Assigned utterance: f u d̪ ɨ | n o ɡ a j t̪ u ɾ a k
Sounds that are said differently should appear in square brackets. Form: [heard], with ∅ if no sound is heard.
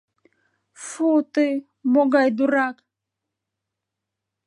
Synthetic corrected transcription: f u [t̪] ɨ | [m] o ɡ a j [d̪] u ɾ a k